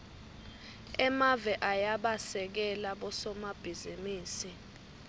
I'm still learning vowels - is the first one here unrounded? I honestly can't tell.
yes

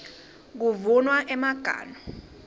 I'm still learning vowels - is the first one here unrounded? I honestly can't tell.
no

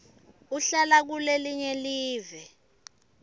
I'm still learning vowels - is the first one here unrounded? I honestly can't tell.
no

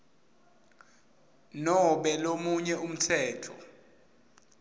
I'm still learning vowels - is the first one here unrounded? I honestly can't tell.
no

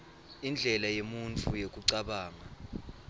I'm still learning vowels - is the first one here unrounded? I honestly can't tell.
yes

